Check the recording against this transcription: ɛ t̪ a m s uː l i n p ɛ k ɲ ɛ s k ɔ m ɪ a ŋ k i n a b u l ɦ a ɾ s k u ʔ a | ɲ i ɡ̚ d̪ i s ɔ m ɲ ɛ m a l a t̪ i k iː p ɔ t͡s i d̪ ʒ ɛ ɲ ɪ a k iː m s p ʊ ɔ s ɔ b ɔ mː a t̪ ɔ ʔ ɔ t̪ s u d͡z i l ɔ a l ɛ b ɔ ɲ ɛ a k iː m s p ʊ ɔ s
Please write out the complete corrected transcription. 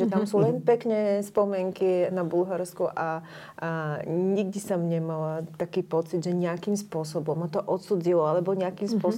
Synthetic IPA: ɛ t̪ a m s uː l ɛ n p ɛ k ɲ ɛ s p ɔ m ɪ ɛ ŋ k i n a b u l ɦ a ɾ s k u ʔ a | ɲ i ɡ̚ d̪ i s ɔ m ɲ ɛ m a l a t̪ a k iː p ɔ t͡s i d̪ ʒ ɛ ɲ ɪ a k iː m s p ʊ ɔ s ɔ b ɔ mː a t̪ ɔ ʔ ɔ t̪ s u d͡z i l ɔ a l ɛ b ɔ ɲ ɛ a k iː m s p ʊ ɔ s